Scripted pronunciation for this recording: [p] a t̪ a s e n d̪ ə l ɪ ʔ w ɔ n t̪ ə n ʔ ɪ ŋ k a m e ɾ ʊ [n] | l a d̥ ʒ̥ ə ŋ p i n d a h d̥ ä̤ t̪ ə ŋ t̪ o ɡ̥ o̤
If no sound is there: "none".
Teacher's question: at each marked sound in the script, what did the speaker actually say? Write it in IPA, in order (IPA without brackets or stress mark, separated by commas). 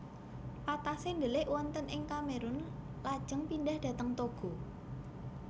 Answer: p, n